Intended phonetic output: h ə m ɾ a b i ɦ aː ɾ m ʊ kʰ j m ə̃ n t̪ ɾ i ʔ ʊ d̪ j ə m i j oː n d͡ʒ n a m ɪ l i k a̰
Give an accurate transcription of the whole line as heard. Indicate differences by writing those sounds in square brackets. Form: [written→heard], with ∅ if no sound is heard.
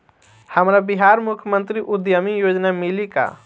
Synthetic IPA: h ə m ɾ a b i ɦ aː ɾ m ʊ kʰ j m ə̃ n t̪ ɾ i ʔ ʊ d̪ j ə m i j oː [n→∅] d͡ʒ n a m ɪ l i k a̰